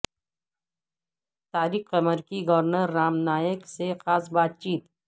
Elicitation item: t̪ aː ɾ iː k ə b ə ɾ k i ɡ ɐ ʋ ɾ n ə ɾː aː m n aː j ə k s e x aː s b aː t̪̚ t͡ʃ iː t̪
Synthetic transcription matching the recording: t̪ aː ɾ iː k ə m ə ɾ k i ɡ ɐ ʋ ɾ n ə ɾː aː m n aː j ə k s e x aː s b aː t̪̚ t͡ʃ iː t̪